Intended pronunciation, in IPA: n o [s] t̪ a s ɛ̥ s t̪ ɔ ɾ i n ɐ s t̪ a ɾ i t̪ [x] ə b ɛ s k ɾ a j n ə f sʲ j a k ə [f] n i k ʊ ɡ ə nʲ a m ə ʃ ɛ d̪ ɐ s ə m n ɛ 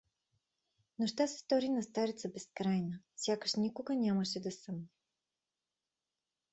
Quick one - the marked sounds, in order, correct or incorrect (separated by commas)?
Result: incorrect, incorrect, incorrect